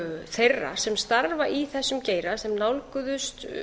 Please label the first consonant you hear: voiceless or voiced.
voiceless